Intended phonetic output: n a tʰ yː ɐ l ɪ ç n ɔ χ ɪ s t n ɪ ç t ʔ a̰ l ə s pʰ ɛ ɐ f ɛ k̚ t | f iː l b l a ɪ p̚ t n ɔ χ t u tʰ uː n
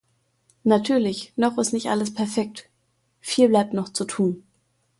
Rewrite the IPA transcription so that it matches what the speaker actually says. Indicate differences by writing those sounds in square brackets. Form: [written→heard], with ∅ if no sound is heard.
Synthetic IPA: n a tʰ yː ɐ l ɪ ç n ɔ χ ɪ s t n ɪ ç t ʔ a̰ l ə s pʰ ɛ ɐ f ɛ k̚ t | f iː l b l a ɪ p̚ t n ɔ χ [t→t͡s] u tʰ uː n